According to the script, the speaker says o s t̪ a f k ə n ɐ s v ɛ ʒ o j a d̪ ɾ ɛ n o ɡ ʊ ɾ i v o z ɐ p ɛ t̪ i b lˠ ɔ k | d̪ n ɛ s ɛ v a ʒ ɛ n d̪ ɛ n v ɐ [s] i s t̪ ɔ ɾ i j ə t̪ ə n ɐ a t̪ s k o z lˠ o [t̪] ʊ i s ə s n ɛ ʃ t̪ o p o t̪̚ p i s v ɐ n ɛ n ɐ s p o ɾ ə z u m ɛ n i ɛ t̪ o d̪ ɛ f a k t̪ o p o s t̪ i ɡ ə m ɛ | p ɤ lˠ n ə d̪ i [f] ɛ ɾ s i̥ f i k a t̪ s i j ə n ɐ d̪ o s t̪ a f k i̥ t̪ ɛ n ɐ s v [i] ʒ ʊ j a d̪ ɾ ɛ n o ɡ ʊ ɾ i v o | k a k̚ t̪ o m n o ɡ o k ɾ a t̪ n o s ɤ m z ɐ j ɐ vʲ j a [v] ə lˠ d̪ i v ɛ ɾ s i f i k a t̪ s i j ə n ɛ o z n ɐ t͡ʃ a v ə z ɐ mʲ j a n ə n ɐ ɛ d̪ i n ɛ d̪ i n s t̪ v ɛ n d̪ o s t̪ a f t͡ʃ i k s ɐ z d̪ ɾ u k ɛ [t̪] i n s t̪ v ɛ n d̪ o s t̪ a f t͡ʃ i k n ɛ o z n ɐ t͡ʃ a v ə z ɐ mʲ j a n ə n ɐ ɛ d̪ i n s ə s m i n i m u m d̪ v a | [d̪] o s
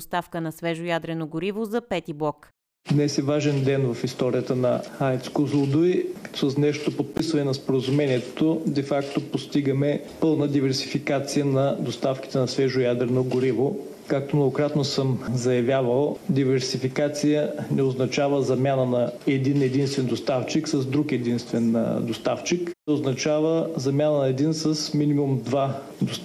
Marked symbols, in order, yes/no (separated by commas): no, no, no, no, yes, no, yes